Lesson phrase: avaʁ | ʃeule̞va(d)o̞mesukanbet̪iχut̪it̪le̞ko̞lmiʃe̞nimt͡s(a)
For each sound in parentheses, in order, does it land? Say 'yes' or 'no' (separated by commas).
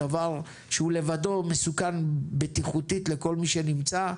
yes, yes